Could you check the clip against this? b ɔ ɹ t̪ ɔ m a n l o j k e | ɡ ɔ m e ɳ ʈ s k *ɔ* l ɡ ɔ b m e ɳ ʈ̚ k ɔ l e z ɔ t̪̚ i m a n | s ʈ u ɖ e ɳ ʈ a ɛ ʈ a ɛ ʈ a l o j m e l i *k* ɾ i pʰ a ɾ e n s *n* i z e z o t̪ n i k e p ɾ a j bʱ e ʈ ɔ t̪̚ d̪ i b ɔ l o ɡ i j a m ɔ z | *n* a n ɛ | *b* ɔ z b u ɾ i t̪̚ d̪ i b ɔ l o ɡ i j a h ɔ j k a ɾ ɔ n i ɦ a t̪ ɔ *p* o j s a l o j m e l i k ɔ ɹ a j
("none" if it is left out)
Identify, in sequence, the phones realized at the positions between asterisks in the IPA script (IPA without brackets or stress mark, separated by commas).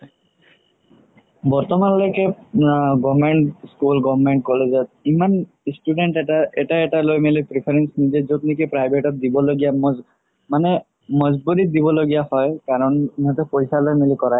u, p, n, m, m, p